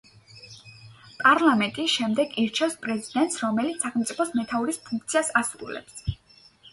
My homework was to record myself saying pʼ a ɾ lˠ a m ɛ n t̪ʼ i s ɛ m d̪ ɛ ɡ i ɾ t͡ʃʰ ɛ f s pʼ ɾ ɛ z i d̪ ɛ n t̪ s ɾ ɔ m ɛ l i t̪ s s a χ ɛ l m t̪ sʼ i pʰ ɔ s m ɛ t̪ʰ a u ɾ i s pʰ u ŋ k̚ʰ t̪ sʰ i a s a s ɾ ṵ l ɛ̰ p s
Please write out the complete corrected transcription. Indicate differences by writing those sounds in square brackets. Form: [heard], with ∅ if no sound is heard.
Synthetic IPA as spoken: pʼ a ɾ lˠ a m ɛ n t̪ʼ i [ʃ] ɛ m d̪ ɛ ɡ i ɾ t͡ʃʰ ɛ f s pʼ ɾ ɛ z i d̪ ɛ n t̪ s ɾ ɔ m ɛ l i t̪ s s a χ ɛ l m t̪ sʼ i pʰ ɔ s m ɛ t̪ʰ a u ɾ i s pʰ u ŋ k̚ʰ t̪ sʰ i a s a s ɾ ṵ l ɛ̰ p s